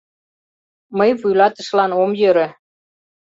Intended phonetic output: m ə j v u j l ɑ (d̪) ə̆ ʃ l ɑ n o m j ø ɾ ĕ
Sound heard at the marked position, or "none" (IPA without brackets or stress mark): t̪